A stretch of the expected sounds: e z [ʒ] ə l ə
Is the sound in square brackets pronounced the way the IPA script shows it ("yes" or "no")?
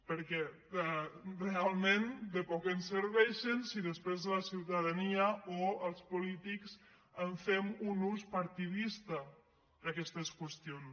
no